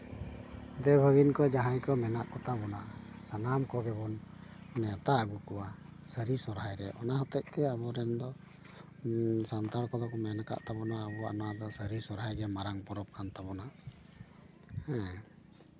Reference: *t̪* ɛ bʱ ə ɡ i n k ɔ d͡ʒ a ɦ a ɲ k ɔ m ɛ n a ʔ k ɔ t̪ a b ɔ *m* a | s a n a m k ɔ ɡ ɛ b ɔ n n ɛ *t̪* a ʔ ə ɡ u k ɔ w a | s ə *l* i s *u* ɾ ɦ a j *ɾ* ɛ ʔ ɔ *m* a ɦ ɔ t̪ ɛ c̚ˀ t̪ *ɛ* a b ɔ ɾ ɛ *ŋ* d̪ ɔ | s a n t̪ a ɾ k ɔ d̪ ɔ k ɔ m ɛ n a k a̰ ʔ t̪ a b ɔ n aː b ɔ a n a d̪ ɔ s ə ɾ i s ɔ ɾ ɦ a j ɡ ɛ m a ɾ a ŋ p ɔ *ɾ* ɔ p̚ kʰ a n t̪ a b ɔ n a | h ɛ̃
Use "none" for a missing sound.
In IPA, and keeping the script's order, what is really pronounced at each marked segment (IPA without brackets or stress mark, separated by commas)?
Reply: d̪, n, t̪, ɾ, ɔ, ɾ, n, ɛ, n, ɾ